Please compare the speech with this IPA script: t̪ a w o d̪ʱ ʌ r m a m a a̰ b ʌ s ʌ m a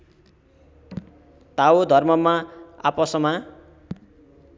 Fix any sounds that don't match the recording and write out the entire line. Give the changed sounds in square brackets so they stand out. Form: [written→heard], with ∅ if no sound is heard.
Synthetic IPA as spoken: t̪ a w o d̪ʱ ʌ r m [a→ʌ] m a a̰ [b→p] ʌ s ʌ m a